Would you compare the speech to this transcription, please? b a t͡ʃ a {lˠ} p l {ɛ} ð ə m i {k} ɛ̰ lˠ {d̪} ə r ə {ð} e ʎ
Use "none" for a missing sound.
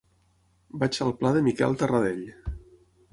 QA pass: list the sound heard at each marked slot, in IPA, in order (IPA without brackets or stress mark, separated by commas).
lˠ, a, k, t̪, ð